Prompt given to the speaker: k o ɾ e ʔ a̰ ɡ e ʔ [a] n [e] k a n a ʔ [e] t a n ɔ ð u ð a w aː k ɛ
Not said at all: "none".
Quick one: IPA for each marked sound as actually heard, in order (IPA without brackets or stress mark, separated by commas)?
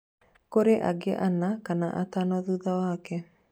a, a, a